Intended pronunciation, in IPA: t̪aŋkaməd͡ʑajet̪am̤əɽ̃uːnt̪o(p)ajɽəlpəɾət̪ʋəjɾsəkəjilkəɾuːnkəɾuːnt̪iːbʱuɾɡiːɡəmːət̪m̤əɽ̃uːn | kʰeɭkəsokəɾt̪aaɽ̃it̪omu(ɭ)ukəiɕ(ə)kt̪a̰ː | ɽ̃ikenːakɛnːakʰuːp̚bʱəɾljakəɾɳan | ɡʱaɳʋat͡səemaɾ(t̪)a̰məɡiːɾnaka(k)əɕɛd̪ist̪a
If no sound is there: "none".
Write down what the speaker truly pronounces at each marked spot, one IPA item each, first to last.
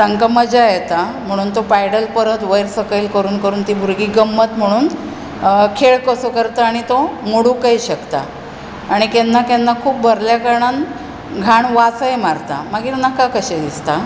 p, ɽ, ə, t̪, k

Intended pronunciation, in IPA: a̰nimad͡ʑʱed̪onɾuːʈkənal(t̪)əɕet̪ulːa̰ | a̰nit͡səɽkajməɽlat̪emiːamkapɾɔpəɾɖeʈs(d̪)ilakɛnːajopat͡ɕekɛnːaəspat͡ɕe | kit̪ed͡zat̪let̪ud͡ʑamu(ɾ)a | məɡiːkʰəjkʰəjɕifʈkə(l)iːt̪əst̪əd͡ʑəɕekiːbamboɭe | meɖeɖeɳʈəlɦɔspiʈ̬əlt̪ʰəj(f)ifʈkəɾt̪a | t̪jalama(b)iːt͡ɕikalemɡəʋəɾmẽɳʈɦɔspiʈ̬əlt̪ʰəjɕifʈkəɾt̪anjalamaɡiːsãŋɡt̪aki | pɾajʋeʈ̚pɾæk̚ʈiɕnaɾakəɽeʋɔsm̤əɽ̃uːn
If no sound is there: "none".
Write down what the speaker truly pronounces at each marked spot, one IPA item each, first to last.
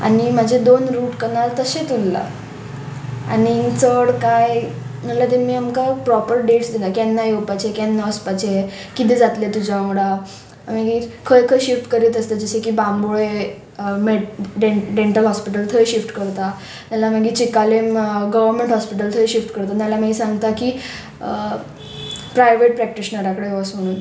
t̪, d̪, ɽ, ɾ, ɕ, ɡ

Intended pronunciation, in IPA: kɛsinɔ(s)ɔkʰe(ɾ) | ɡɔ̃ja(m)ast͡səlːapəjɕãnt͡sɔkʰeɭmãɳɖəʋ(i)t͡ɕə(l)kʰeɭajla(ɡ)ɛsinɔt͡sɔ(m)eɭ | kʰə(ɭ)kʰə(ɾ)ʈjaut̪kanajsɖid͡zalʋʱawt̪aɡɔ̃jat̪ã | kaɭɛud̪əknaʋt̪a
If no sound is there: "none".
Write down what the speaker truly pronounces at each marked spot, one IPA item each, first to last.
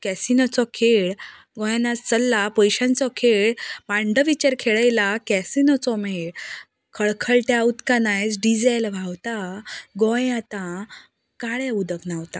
t͡s, ɭ, n, i, ɾ, k, m, ɭ, ɭ

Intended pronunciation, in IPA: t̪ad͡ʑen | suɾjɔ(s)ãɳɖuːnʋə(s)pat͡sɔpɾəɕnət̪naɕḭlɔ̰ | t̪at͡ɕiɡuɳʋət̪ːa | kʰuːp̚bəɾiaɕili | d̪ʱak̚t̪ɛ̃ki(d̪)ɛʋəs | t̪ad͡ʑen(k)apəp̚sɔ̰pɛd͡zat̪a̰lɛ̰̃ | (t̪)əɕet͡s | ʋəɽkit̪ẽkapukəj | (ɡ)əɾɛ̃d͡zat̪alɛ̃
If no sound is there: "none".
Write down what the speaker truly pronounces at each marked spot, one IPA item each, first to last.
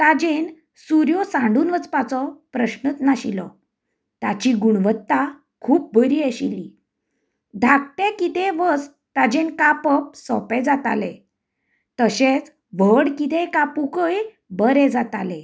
s, t͡s, t̪, k, t̪, b

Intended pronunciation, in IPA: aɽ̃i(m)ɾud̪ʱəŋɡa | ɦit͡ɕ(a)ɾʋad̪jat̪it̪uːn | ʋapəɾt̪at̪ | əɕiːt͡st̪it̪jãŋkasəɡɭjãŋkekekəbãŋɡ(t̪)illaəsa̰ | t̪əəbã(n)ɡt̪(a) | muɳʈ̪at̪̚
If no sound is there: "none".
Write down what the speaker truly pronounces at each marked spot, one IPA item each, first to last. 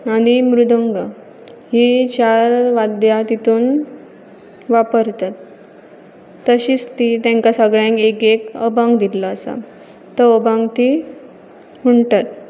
m, a, d̪, ŋ, i

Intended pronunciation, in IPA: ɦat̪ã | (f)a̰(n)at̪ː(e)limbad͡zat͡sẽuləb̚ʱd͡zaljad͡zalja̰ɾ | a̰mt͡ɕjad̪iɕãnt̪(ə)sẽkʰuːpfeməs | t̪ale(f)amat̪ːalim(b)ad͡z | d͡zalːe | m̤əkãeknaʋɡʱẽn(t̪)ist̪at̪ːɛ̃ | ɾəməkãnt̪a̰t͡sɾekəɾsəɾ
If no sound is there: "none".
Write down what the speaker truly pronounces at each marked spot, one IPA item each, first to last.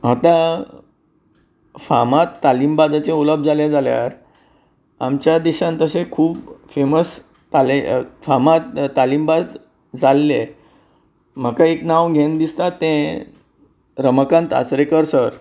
f, m, a, ə, f, b, d̪

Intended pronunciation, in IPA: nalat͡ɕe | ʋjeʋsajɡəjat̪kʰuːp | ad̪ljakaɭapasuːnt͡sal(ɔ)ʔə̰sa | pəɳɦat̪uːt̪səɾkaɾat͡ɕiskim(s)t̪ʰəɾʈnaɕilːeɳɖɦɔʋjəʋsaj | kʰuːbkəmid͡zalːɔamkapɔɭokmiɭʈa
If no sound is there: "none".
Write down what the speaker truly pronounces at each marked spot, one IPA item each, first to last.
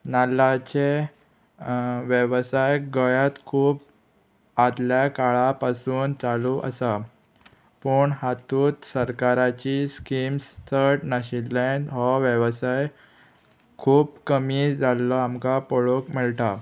u, s

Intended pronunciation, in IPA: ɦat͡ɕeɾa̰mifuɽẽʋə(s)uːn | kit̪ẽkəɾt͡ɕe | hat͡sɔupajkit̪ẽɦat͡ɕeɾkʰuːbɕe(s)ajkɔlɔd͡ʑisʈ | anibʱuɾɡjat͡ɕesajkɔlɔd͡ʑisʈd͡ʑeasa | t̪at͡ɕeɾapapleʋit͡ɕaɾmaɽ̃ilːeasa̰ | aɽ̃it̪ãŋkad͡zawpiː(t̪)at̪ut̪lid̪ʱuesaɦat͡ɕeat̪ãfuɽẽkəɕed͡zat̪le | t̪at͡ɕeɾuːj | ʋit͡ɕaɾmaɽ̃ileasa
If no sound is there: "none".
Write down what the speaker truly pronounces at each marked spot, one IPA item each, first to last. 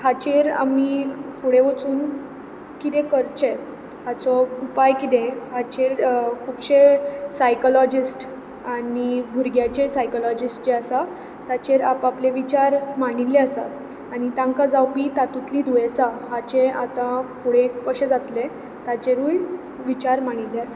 t͡s, s, t̪

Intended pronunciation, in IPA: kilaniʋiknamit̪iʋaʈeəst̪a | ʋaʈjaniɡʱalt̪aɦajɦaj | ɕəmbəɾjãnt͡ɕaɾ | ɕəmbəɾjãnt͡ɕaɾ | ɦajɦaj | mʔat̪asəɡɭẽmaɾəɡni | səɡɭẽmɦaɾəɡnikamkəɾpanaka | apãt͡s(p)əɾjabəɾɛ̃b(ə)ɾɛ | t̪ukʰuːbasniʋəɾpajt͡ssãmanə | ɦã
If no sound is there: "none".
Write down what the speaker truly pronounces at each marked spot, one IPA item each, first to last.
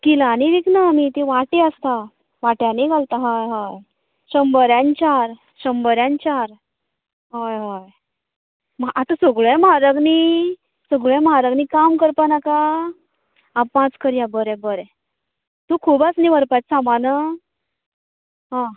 k, ə

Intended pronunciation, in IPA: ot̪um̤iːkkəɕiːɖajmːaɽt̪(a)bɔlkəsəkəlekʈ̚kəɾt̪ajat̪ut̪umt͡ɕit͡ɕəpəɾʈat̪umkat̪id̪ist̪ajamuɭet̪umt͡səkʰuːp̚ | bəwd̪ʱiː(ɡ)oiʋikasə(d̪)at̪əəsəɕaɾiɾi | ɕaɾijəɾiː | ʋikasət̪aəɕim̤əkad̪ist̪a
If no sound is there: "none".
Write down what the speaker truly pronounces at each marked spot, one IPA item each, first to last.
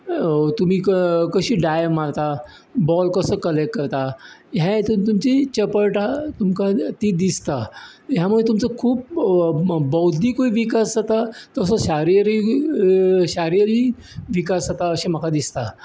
a, k, t̪

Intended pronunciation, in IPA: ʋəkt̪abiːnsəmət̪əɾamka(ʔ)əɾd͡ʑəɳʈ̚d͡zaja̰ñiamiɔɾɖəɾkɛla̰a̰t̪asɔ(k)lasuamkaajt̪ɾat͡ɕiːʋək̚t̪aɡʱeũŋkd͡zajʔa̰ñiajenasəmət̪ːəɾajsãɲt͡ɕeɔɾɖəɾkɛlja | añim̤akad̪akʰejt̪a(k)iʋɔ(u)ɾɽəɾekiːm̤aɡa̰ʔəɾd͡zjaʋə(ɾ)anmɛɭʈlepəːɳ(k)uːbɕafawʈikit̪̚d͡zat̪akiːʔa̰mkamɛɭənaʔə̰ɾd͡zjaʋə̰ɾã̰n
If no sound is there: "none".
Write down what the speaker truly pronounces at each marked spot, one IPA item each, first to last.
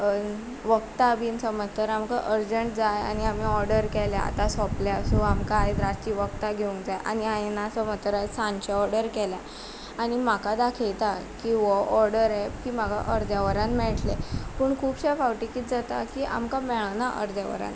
ʔ, p, k, ɔ, ɾ, kʰ

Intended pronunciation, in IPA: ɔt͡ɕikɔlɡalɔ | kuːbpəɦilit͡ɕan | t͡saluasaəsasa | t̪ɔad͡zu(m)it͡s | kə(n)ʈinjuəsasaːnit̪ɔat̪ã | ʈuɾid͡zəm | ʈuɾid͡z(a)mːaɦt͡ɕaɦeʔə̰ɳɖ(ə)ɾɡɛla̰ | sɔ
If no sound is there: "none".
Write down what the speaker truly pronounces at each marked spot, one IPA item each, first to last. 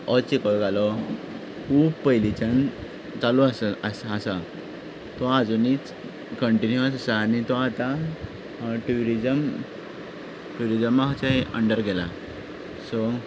n, ɳ, ə, ə

